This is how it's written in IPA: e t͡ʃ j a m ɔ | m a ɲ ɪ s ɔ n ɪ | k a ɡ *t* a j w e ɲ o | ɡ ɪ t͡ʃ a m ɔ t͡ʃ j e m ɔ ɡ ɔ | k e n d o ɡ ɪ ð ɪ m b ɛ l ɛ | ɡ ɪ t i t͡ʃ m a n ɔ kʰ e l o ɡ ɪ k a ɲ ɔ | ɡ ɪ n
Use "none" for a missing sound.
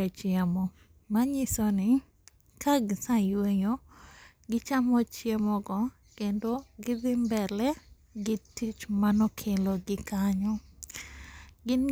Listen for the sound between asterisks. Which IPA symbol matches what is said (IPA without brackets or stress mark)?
s